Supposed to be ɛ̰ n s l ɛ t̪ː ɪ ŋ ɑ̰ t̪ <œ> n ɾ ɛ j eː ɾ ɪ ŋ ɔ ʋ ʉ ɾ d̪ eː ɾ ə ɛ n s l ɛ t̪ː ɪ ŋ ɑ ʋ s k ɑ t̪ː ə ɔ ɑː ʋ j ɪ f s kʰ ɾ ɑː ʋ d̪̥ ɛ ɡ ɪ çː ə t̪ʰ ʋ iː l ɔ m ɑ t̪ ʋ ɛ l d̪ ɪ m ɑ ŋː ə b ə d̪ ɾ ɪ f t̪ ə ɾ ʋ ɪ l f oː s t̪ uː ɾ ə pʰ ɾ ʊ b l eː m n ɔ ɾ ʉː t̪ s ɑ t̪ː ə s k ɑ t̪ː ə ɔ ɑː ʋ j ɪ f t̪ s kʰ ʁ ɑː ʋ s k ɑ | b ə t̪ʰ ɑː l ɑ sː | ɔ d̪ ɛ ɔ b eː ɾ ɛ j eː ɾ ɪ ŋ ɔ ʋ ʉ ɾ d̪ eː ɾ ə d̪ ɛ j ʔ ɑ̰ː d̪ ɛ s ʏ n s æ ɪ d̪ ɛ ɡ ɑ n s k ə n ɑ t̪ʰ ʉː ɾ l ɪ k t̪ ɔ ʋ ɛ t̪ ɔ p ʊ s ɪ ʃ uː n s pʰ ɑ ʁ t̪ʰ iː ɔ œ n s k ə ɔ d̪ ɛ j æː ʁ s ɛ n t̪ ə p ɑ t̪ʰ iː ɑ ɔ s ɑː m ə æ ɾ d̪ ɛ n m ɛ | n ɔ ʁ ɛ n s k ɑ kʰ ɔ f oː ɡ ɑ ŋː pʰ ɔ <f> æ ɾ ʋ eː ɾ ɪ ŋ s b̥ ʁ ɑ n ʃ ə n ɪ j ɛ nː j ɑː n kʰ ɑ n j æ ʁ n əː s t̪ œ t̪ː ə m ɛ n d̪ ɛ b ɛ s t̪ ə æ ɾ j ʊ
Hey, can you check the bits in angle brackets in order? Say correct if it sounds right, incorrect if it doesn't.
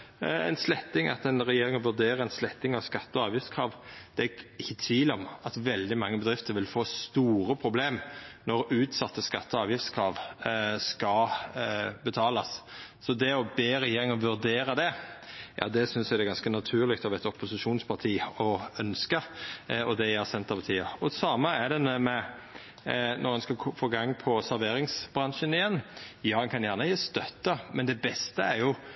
incorrect: ɛ, incorrect: s

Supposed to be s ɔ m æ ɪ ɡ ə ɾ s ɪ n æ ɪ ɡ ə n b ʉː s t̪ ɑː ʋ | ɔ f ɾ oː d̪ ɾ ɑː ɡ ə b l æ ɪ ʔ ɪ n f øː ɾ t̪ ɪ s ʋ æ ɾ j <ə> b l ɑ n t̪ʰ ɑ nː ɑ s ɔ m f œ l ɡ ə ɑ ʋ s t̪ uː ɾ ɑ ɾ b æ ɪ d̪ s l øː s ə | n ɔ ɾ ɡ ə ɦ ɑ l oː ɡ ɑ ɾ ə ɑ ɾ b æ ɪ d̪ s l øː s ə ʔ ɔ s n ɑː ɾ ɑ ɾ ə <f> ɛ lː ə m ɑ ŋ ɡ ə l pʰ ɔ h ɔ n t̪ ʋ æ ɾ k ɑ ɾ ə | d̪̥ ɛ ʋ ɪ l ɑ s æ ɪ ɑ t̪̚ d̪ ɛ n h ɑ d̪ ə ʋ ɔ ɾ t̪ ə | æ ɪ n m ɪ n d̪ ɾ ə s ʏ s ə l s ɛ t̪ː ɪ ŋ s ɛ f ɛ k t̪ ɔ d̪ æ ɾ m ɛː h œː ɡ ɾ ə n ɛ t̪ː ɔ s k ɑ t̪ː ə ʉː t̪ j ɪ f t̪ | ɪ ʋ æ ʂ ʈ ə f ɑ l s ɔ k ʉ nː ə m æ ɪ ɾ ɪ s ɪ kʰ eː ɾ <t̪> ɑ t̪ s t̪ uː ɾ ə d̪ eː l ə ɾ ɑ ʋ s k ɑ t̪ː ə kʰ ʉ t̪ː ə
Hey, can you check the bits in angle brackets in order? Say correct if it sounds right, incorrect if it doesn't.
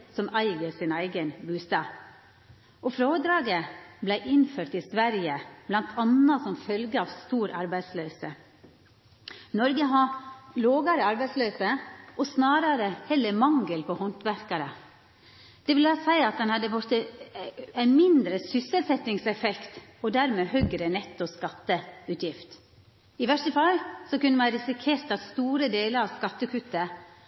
correct, incorrect: h, correct

